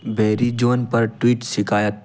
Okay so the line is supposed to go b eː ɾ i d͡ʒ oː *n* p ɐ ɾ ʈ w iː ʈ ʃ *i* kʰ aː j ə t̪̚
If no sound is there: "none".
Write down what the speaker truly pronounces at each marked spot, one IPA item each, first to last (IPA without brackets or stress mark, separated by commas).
n, ɪ